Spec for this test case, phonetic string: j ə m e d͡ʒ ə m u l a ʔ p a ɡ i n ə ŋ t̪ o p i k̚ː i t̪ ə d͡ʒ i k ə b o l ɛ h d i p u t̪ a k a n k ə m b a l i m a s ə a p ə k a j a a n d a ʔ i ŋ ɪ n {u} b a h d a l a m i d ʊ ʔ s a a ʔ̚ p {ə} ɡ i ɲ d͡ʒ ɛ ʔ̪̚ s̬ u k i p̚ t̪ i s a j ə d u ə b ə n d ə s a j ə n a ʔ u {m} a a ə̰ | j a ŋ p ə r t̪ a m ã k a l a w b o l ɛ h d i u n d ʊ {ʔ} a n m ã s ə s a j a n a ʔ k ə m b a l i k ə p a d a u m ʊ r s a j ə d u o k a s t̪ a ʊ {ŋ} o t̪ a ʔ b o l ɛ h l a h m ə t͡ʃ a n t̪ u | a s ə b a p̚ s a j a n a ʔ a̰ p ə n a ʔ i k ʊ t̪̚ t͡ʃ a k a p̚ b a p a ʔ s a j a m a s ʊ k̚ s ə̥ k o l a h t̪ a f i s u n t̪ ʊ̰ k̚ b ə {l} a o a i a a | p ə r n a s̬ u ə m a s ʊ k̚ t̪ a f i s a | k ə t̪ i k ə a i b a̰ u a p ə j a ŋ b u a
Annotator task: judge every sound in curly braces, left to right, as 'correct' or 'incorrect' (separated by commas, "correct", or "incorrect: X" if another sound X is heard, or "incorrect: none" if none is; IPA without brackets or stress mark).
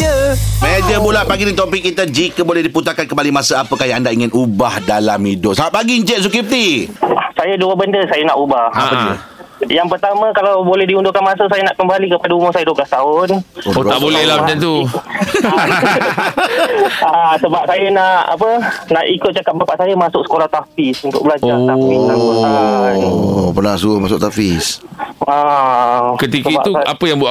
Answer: correct, incorrect: a, incorrect: b, incorrect: k, incorrect: n, correct